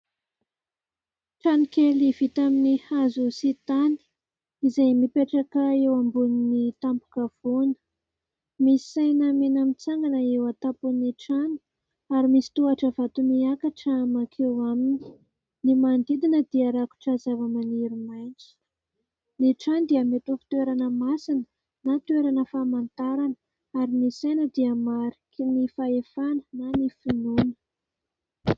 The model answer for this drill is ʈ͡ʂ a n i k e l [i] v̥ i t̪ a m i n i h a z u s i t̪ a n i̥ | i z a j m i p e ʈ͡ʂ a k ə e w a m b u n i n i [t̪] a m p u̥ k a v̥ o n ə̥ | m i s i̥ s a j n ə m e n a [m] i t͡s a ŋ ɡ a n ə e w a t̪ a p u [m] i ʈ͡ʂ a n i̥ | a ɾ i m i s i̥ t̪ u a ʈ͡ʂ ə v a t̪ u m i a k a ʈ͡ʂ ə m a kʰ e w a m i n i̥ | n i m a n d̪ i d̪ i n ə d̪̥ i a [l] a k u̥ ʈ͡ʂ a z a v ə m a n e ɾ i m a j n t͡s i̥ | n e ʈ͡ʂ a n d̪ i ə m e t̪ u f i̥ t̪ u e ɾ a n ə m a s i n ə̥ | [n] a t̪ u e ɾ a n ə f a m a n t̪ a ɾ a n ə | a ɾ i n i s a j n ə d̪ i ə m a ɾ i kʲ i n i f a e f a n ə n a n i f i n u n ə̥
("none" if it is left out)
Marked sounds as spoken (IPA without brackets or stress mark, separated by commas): i, t̪, m, n, ɾ, n